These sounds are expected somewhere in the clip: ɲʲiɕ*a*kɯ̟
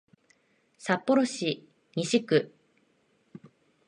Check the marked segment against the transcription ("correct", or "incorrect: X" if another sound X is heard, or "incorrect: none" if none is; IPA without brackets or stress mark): incorrect: i